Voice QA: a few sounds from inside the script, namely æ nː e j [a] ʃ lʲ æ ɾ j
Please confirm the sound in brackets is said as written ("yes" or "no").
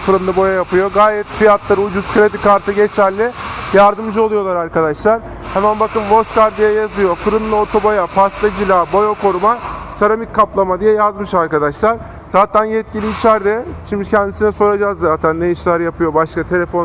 no